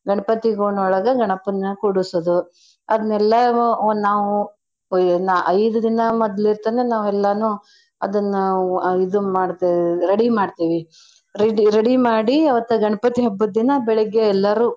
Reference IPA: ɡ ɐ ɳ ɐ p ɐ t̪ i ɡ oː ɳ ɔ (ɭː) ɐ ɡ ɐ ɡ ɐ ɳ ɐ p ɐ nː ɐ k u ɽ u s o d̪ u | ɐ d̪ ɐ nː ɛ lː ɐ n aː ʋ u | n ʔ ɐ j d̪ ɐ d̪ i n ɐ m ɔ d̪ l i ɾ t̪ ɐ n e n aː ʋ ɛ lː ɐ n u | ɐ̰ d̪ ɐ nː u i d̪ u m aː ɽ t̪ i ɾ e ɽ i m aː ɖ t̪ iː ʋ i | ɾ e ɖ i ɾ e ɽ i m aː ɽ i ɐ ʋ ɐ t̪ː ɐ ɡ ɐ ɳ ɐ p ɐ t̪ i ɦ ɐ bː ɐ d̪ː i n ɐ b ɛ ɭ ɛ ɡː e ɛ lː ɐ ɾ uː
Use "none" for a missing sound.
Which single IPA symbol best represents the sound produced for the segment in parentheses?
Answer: ɭ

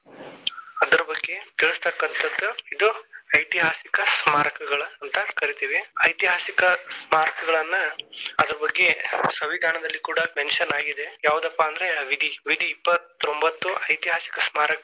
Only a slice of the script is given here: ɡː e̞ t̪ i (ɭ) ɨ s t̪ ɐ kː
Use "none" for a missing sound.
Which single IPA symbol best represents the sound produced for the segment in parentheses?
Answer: ɭ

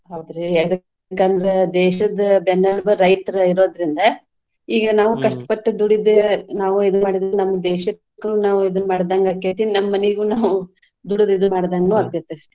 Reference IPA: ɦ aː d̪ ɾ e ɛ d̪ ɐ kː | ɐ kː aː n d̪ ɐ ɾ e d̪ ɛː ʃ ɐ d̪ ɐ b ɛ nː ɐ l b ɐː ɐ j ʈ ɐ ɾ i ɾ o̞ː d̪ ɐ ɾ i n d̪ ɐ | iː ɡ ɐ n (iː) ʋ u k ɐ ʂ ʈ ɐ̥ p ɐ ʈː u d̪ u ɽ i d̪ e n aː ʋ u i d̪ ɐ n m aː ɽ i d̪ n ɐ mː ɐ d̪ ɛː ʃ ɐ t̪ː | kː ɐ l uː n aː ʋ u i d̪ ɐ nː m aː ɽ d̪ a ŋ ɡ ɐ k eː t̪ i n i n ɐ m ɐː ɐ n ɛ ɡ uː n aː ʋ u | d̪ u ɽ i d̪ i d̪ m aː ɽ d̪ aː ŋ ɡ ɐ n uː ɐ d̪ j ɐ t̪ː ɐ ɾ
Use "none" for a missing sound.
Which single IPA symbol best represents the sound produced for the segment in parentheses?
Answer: aː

